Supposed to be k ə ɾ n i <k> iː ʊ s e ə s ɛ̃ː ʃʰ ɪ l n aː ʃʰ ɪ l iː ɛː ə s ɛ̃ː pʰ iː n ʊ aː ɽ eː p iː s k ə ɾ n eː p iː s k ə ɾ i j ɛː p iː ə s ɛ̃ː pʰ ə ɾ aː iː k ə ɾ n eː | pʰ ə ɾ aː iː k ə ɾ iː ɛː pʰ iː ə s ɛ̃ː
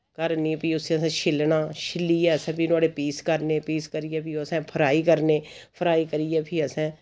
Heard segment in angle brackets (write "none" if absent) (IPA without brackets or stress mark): p